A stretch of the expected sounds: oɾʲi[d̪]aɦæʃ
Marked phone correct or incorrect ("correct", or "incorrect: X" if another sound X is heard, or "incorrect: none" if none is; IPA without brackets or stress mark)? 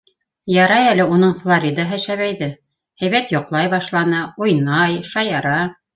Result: correct